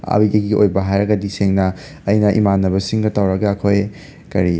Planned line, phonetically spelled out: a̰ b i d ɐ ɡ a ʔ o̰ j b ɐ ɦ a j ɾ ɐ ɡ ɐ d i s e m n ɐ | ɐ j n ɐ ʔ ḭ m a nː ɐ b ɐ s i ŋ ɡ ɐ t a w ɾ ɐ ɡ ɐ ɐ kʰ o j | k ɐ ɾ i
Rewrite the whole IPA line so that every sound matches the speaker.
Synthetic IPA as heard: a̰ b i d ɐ ɡ i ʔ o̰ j b ɐ ɦ a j ɾ ɐ ɡ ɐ d i s e ŋ n ɐ | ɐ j n ɐ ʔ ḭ m a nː ɐ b ɐ s i ŋ ɡ ɐ t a w ɾ ɐ ɡ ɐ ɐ kʰ o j | k ɐ ɾ i